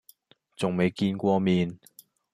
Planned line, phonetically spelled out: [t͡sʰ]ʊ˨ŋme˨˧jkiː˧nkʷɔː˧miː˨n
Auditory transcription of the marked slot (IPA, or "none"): t͡s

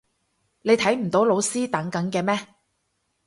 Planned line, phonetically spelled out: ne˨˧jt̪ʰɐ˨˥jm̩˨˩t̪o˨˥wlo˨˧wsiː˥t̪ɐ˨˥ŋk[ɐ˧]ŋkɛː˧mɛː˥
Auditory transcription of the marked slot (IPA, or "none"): ɐ˨˥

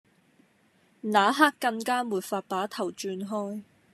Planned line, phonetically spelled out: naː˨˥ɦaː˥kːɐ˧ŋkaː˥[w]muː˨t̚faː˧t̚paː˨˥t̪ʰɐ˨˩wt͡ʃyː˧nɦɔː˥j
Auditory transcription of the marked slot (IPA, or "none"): none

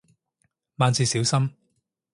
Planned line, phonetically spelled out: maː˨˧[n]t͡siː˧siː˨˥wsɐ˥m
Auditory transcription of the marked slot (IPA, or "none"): n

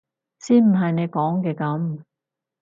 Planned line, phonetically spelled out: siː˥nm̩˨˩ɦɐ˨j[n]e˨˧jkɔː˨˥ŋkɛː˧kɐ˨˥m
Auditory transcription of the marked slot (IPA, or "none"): n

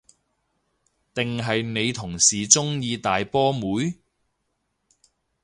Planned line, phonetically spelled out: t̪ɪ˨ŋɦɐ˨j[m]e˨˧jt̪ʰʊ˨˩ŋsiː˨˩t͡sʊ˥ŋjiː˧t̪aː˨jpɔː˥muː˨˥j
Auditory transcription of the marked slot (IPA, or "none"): n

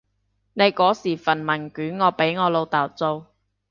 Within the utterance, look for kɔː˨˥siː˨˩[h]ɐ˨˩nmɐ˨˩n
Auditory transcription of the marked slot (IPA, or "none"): f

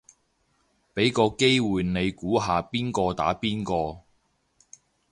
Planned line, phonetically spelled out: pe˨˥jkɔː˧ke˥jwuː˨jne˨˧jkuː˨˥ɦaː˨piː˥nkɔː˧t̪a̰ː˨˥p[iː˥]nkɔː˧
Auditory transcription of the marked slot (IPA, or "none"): iː˥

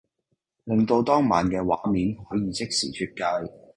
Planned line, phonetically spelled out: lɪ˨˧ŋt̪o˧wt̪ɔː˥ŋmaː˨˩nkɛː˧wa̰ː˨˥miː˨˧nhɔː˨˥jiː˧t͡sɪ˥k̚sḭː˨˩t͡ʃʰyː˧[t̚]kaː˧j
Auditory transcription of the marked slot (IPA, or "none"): t̚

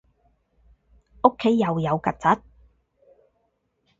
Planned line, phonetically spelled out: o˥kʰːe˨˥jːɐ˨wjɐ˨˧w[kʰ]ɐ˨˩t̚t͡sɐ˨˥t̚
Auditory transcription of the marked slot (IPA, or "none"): k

